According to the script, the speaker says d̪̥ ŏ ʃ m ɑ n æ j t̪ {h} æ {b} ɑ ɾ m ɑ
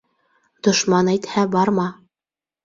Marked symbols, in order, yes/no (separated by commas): yes, yes